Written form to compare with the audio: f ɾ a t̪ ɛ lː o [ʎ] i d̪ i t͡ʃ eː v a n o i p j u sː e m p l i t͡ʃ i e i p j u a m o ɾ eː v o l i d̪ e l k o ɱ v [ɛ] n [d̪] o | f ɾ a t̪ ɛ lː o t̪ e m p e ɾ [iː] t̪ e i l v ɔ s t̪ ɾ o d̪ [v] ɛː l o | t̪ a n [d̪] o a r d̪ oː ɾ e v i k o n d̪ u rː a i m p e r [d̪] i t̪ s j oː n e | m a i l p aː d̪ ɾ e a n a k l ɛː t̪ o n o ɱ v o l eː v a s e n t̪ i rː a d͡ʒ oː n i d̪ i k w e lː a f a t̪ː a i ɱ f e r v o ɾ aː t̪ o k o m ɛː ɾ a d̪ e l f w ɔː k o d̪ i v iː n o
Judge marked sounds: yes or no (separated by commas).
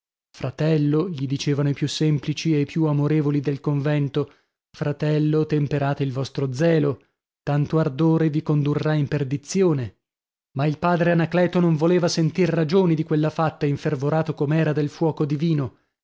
yes, yes, no, no, no, no, yes